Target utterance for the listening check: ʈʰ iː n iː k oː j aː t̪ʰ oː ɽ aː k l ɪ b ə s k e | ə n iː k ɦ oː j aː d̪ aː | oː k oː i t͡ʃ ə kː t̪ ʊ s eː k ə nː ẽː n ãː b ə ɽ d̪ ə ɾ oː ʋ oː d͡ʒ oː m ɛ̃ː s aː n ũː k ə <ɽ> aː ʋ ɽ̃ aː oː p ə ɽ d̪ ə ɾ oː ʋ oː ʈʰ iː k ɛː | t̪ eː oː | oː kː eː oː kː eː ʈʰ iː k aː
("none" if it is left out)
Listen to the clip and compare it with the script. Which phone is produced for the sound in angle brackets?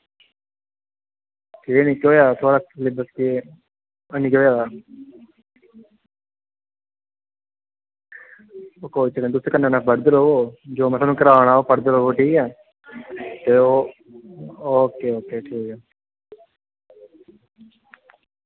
ɾ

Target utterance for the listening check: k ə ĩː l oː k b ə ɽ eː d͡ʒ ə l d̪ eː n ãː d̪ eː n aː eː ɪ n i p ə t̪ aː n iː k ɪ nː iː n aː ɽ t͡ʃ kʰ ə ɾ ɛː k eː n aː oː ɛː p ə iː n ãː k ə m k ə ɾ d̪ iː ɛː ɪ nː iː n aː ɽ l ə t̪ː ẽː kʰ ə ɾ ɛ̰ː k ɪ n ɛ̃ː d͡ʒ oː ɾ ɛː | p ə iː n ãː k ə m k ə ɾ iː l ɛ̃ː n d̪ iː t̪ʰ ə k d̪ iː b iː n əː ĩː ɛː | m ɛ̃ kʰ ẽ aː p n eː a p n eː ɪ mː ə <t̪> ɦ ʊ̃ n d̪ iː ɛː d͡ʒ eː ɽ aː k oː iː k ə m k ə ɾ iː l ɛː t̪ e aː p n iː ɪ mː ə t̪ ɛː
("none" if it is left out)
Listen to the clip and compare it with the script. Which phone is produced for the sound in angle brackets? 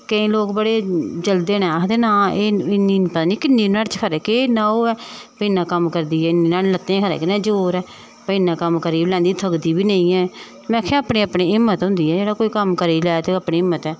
t̪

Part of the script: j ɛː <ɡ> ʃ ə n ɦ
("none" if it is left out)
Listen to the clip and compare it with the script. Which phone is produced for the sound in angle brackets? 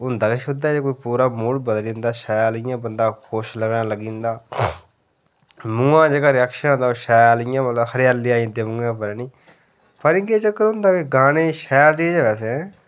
k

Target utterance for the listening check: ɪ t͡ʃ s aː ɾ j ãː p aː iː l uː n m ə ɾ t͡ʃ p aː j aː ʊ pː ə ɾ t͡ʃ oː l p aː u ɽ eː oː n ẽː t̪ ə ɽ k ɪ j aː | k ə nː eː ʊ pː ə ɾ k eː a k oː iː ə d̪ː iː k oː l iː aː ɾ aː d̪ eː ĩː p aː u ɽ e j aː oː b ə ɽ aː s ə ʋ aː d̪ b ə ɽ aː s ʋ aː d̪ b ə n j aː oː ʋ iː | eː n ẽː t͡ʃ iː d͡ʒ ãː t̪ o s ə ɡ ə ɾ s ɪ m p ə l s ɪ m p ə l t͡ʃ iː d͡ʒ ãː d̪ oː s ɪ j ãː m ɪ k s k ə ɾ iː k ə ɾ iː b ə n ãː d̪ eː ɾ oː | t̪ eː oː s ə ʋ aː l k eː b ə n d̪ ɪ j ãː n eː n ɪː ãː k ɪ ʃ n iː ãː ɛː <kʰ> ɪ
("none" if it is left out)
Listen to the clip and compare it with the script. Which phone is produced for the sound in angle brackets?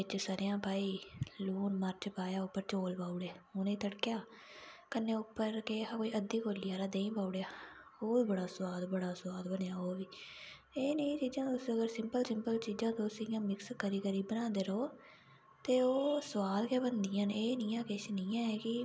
k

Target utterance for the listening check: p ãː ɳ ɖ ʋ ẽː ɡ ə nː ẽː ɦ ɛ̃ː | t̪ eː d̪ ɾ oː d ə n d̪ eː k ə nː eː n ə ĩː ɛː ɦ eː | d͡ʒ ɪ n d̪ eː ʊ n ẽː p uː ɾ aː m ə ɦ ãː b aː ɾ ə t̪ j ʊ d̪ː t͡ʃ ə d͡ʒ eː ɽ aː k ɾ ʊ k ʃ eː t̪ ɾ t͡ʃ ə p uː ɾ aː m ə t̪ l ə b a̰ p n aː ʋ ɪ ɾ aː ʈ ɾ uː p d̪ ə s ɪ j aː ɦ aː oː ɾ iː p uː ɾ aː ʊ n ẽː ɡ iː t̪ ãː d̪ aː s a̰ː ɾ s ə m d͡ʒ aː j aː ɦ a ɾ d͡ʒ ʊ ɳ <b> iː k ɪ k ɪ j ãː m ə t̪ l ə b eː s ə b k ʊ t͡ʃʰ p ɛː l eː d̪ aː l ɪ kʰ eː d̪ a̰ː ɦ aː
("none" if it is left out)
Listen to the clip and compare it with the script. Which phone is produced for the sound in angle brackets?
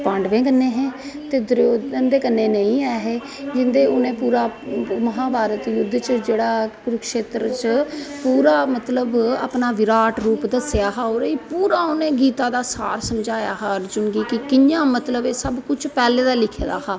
ɡ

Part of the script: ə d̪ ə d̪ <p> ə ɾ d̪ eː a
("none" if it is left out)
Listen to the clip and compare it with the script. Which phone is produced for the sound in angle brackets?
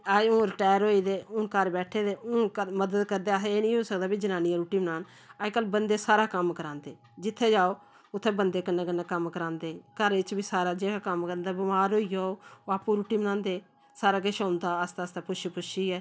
k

